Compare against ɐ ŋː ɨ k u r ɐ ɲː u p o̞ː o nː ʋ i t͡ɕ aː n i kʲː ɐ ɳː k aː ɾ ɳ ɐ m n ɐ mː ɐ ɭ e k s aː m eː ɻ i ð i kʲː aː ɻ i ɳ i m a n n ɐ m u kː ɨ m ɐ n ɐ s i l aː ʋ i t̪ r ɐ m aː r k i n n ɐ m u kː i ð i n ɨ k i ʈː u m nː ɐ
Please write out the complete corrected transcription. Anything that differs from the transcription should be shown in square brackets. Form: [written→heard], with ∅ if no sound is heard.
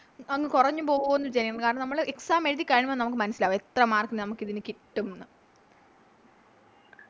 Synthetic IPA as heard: ɐ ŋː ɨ k u r ɐ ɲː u p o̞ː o nː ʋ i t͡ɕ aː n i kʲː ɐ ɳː k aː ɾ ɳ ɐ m n ɐ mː ɐ ɭ e k s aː m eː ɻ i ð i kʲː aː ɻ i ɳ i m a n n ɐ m u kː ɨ m ɐ n ɐ s i l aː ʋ [i→e] t̪ r ɐ m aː r k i n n ɐ m u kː i ð i n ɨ k i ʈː u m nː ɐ